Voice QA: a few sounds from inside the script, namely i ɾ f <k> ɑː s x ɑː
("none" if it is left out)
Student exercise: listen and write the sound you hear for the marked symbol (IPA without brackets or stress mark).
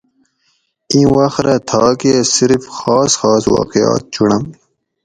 x